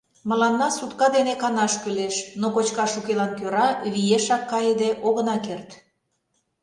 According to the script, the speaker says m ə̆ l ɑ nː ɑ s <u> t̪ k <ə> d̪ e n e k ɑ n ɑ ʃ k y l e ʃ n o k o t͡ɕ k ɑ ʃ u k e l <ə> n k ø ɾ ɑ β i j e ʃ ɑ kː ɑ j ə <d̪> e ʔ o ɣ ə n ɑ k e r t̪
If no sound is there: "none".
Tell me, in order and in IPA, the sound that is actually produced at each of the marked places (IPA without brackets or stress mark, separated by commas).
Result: u, ɑ, ɑ, d̪